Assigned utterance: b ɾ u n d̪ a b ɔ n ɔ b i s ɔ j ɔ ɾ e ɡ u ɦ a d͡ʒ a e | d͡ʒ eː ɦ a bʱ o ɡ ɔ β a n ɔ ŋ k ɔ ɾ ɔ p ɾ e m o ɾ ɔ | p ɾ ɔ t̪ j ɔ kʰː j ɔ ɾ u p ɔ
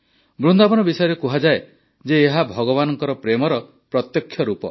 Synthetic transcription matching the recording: b ɾ u n d̪ a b ɔ n ɔ b i s ɔ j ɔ ɾ e k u ɦ a d͡ʒ a e | d͡ʒ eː ɦ a bʱ ɔ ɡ ɔ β a n ɔ ŋ k ɔ ɾ ɔ p ɾ e m ɔ ɾ ɔ | p ɾ ɔ t̪ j ɔ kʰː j ɔ ɾ u p ɔ